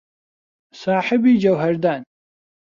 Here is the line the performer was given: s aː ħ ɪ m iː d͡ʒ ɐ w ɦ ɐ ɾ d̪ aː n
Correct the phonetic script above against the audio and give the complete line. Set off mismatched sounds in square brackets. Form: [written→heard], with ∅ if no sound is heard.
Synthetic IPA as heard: s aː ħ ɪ [m→b] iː d͡ʒ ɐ w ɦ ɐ ɾ d̪ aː n